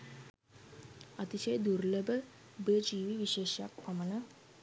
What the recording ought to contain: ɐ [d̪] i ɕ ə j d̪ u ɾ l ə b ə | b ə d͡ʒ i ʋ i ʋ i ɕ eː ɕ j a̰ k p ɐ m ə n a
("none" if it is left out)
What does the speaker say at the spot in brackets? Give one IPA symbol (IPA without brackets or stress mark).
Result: t̪